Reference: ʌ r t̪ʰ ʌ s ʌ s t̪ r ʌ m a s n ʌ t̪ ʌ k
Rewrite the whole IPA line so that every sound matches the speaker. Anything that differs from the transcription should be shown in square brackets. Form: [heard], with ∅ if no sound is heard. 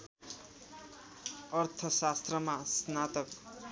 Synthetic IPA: ʌ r t̪ʰ ʌ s [a] s t̪ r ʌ m a s n [a] t̪ ʌ k